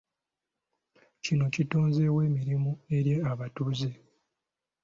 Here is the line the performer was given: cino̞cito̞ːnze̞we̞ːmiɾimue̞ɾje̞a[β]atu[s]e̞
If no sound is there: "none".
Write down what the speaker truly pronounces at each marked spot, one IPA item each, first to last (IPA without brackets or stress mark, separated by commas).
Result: β, z